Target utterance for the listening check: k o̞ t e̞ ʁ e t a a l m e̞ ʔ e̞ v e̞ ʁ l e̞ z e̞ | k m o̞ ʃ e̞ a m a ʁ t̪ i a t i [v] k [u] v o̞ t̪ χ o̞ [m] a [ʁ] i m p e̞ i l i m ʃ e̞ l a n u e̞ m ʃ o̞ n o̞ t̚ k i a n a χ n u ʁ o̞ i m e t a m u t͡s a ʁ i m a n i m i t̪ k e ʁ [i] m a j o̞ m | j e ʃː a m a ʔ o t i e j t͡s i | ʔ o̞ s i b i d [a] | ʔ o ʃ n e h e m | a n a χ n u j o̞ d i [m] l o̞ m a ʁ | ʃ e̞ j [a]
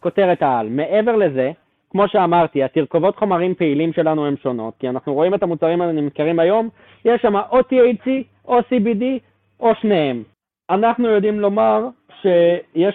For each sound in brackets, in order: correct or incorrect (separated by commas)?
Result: incorrect, incorrect, correct, correct, correct, incorrect, correct, incorrect